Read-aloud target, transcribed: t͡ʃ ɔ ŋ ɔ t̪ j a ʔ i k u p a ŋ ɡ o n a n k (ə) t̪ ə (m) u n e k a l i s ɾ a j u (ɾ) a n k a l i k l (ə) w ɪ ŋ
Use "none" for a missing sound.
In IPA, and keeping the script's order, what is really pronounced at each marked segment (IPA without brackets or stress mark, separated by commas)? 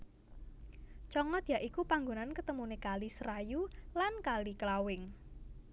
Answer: ə, m, l, a